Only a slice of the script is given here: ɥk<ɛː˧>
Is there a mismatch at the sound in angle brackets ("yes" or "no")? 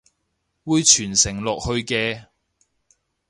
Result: no